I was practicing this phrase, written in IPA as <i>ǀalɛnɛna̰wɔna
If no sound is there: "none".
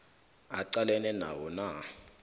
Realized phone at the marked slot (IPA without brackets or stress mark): a